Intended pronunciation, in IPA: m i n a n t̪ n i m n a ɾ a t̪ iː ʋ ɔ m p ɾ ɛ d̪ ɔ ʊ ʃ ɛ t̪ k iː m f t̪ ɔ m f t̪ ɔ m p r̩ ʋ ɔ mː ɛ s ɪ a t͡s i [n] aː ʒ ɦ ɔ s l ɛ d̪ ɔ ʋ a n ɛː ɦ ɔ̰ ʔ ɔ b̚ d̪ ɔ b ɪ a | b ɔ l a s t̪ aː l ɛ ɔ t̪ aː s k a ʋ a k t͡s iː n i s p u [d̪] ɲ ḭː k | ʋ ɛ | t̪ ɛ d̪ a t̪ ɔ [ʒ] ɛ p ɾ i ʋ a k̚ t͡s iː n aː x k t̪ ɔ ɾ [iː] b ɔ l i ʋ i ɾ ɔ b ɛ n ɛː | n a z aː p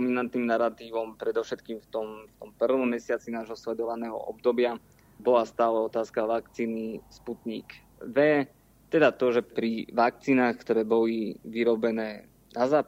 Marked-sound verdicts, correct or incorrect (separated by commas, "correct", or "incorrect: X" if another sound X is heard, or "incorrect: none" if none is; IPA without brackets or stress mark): correct, incorrect: t̪, correct, incorrect: ɛː